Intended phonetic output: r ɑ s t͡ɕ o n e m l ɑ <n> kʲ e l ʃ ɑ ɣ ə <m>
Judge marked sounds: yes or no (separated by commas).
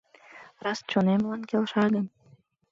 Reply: yes, no